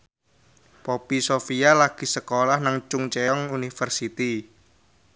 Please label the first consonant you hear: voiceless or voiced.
voiceless